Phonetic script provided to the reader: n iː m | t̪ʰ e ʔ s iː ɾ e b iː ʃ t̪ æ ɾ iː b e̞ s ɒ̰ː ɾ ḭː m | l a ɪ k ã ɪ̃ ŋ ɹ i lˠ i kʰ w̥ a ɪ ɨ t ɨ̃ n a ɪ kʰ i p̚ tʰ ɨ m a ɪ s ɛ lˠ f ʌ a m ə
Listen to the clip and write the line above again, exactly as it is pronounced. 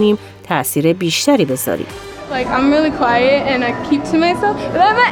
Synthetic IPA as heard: n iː m | t̪ʰ æ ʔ s iː ɾ e b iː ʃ t̪ æ ɾ iː b e̞ z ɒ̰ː ɾ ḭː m | l a ɪ k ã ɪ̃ m ɹ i lˠ i kʰ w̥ a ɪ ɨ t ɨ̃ n a ɪ kʰ i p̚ tʰ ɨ m a ɪ s ɛ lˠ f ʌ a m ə